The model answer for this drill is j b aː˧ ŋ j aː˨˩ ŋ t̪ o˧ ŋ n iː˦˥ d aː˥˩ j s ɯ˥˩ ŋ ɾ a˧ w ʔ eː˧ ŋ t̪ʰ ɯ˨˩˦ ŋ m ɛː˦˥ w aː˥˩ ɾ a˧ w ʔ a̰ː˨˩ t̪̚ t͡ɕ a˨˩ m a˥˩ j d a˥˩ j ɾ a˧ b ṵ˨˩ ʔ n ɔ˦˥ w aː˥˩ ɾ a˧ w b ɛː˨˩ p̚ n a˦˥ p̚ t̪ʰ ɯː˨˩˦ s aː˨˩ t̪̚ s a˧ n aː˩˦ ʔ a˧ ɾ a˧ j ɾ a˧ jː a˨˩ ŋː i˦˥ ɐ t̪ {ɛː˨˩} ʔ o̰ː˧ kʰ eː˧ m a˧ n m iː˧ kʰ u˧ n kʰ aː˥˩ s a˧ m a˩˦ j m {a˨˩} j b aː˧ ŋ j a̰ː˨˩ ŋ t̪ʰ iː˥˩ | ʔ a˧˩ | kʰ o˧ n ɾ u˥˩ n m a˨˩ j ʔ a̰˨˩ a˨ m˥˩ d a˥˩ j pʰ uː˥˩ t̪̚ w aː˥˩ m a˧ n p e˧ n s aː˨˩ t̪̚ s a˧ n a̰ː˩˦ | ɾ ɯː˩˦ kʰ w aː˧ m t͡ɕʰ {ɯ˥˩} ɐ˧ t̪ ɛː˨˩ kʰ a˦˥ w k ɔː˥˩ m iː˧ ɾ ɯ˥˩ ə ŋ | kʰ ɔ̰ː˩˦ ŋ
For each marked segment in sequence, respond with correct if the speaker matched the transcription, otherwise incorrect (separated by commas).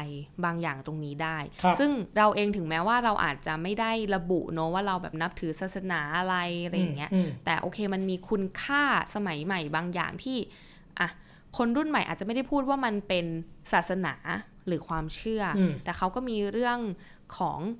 correct, correct, correct